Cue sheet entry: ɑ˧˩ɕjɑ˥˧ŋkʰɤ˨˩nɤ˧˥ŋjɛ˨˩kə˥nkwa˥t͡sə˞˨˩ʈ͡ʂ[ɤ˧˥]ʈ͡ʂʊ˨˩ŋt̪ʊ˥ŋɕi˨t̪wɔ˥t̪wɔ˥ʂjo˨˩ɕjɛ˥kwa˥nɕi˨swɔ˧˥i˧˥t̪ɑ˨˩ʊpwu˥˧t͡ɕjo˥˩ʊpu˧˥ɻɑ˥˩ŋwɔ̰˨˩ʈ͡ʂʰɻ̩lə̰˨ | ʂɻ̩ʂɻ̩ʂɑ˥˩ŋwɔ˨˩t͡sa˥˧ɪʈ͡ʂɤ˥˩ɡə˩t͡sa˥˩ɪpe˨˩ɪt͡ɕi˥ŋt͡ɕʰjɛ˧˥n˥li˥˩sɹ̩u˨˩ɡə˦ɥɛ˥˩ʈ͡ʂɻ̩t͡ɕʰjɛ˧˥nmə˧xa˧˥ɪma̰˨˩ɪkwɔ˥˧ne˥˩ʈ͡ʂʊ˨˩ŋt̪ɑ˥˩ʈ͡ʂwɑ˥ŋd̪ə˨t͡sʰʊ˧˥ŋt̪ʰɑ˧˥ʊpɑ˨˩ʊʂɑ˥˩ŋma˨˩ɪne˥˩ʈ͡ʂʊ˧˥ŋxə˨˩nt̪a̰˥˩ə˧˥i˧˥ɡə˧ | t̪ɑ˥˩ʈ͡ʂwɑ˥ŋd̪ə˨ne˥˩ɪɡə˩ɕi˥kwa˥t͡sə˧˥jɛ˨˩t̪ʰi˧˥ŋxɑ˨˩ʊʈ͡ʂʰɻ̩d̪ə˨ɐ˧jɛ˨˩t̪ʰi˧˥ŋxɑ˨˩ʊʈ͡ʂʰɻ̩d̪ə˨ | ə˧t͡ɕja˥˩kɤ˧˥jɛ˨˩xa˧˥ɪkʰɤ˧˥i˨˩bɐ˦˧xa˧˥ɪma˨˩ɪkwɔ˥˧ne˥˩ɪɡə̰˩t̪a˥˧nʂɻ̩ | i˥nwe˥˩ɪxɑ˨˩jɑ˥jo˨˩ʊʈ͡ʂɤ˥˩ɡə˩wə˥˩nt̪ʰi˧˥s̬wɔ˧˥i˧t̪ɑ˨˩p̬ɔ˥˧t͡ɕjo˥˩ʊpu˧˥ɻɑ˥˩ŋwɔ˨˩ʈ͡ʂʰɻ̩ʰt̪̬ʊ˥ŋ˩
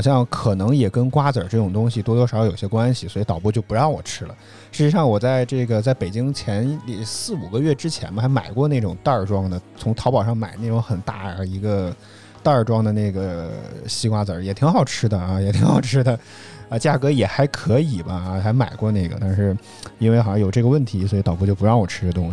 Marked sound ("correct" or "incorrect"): incorrect